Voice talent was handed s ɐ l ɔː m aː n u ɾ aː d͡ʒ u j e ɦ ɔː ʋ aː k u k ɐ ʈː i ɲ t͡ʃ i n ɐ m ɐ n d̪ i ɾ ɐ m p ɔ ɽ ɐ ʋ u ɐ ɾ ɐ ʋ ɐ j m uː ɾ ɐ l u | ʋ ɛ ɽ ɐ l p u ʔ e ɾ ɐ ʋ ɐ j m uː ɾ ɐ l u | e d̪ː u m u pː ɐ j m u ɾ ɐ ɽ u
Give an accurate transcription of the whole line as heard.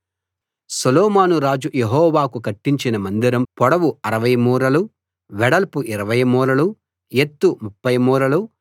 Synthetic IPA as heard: s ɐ l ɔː m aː n u ɾ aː d͡ʒ u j e ɦ ɔː ʋ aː k u k ɐ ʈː i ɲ t͡ʃ i n ɐ m ɐ n d̪ i ɾ ɐ m p ɔ ɽ ɐ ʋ u ɐ ɾ ɐ ʋ ɐ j m uː ɾ ɐ l u | ʋ ɛ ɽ ɐ l p u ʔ i ɾ ɐ ʋ ɐ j m uː ɾ ɐ l u | e t̪ː u m u pː ɐ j m uː ɾ ɐ l u